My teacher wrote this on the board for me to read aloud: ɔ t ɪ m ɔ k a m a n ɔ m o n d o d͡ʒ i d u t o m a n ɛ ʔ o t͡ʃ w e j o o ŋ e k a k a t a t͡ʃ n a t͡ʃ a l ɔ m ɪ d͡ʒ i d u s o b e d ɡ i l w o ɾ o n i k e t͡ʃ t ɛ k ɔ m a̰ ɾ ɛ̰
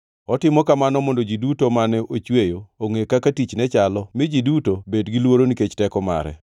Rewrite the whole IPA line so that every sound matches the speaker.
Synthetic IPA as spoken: ɔ t ɪ m ɔ k a m a n ɔ m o n d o d͡ʒ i d u t o m a n ɛ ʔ o t͡ʃ w e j o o ŋ e k a k a t i t͡ʃ n ɛ t͡ʃ a l ɔ m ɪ d͡ʒ i d u t o b e d ɡ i l w o ɾ o n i k e t͡ʃ t ɛ k ɔ m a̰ ɾ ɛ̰